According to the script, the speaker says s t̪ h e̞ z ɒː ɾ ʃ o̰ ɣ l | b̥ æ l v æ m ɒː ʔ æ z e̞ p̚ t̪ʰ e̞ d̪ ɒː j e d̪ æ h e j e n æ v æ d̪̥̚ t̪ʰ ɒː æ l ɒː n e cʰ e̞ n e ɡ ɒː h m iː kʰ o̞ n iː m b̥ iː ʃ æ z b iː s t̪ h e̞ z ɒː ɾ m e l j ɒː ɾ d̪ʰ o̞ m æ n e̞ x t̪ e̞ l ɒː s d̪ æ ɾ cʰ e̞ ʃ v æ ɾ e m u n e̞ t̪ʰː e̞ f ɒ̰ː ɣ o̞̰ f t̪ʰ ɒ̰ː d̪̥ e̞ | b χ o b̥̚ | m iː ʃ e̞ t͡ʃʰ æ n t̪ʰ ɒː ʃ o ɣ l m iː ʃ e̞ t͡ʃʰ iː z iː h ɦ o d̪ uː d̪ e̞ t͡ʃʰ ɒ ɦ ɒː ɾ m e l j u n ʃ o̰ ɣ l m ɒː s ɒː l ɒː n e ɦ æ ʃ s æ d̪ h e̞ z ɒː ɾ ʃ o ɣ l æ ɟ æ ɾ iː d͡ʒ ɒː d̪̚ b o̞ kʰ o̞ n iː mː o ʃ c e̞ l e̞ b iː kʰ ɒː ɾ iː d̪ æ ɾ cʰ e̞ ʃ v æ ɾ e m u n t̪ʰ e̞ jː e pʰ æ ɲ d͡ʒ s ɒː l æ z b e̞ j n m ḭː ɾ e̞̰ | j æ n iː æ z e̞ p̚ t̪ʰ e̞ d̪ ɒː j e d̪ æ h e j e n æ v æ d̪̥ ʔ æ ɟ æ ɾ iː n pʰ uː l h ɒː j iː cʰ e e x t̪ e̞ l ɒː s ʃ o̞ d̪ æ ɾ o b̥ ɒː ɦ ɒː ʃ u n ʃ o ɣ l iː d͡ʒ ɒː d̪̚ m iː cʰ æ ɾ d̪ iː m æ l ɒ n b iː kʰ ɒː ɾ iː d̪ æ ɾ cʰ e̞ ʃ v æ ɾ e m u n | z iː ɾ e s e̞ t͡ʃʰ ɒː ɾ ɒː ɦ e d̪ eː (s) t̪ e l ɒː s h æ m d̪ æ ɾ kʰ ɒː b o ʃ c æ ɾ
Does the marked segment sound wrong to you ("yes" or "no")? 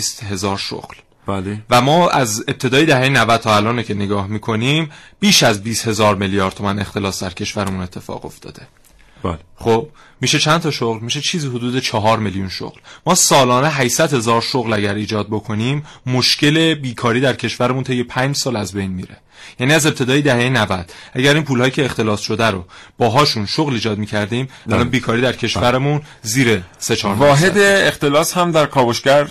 yes